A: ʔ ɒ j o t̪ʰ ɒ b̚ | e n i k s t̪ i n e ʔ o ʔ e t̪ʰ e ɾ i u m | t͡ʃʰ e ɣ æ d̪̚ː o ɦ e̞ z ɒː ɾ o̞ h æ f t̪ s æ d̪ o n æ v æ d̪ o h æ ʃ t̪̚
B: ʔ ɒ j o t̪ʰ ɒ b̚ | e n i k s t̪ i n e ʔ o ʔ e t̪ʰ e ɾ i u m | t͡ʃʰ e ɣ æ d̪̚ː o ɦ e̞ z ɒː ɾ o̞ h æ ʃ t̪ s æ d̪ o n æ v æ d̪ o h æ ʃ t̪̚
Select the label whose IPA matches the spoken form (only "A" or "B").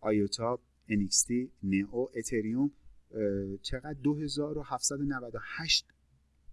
A